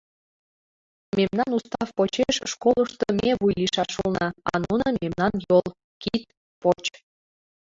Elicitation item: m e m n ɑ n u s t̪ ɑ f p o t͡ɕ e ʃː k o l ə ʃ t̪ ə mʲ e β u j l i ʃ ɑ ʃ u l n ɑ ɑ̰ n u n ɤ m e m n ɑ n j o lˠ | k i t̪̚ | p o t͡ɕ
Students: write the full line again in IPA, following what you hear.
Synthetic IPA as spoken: m e m n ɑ n u s t̪ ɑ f p o t͡ɕ e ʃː k o l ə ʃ t̪ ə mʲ e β u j l i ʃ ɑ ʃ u l n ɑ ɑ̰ n u n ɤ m e m n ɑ n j o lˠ | k i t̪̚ | p o t͡ɕ